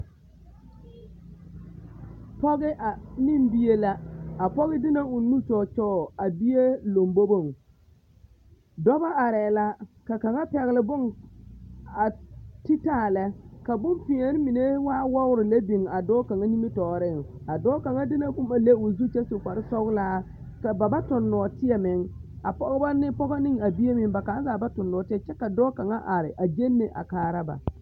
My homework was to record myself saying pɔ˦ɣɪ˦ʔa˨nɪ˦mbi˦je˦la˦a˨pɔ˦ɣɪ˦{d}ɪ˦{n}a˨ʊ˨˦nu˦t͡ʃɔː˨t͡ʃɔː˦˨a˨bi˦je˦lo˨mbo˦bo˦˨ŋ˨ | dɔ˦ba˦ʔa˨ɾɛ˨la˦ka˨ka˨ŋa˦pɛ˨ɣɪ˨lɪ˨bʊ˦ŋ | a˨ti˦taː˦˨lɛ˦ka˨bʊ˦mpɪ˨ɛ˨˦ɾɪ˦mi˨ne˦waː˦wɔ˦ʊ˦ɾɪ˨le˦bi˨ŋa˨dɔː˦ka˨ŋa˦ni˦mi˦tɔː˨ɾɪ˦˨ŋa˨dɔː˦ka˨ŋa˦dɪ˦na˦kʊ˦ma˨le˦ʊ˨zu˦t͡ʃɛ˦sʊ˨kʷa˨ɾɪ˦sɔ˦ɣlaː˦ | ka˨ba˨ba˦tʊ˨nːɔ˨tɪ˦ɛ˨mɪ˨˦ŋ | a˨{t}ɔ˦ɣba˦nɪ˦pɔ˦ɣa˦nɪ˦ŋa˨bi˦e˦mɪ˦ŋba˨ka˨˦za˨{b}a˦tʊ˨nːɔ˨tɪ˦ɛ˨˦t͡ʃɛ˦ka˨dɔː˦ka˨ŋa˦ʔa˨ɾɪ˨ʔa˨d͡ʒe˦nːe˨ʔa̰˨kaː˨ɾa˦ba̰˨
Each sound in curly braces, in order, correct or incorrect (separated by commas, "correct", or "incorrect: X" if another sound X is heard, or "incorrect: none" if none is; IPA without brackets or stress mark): correct, correct, incorrect: p, correct